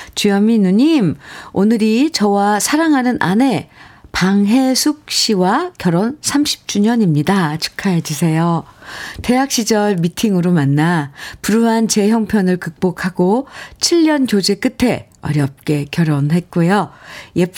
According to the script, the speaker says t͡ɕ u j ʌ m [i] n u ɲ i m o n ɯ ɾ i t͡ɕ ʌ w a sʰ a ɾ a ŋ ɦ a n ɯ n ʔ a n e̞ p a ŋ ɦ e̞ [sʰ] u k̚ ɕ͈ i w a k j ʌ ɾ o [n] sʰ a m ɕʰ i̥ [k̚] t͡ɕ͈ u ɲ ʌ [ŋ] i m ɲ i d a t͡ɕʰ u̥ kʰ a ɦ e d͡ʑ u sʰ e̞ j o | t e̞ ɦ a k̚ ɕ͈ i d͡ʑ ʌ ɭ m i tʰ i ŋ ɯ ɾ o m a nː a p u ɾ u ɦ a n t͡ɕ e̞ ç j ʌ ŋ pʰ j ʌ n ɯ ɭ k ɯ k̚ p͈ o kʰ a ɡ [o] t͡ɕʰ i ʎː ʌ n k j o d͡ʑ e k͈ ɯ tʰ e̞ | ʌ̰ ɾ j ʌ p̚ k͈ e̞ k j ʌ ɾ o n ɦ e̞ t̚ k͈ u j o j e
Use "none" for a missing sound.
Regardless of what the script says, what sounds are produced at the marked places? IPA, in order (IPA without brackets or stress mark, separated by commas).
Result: i, sʰ, n, p̚, ɲ, o